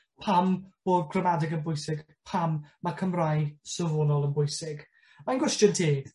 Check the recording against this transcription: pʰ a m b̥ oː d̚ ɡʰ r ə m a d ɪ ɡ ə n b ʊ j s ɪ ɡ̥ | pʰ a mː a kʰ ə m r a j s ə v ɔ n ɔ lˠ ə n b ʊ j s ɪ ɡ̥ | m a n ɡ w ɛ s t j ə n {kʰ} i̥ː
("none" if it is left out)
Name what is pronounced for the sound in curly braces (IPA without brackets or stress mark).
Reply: tʰ